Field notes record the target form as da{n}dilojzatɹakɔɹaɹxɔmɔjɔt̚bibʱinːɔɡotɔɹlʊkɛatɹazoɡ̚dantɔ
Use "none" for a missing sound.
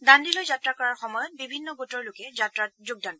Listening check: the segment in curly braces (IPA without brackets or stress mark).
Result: n